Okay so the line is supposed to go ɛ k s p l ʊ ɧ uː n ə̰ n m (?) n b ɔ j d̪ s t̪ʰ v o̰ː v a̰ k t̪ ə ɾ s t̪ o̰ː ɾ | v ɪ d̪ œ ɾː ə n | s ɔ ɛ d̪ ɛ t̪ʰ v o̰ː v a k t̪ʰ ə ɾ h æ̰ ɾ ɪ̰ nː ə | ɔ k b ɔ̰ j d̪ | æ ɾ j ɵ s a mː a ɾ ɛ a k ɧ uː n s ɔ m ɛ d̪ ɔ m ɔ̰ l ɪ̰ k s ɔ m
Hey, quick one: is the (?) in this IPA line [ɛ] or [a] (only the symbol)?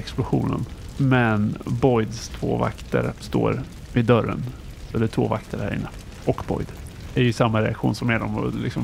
ɛ